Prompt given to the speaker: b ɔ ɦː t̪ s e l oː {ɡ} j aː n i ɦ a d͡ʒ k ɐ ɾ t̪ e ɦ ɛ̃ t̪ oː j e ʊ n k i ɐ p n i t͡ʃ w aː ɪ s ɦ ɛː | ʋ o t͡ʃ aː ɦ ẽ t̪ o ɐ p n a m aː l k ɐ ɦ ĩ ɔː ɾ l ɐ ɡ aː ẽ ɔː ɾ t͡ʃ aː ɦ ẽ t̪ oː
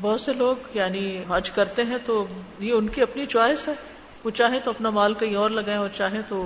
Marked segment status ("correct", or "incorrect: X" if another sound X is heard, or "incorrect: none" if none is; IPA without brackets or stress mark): correct